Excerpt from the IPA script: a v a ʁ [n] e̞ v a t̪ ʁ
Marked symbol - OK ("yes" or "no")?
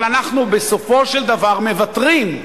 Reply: no